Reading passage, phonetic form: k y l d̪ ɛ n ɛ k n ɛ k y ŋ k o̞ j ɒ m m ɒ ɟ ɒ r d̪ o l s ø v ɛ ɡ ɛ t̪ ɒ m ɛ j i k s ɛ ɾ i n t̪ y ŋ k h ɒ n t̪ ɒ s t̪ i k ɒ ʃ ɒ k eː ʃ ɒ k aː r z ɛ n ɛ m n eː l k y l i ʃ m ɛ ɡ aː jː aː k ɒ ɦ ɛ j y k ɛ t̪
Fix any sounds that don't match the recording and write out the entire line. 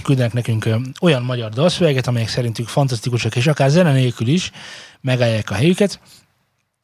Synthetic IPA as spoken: k y l d̪ ɛ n ɛ k n ɛ k y ŋ k o̞ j ɒ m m ɒ ɟ ɒ r d̪ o l s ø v ɛ ɡ ɛ t̪ ɒ m ɛ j ɛ k s ɛ ɾ i n t̪ y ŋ k f ɒ n t̪ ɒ s t̪ i k u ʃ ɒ k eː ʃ ɒ k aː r z ɛ n ɛ n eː l k y l i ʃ m ɛ ɡ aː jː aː k ɒ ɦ ɛ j y k ɛ t̪